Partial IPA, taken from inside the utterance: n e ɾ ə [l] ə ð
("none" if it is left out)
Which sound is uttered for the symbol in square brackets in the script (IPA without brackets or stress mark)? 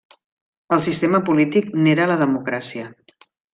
l